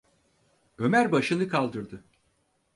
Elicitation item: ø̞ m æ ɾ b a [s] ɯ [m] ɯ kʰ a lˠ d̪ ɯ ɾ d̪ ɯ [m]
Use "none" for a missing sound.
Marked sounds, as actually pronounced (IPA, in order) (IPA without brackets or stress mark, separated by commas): ʃ, n, none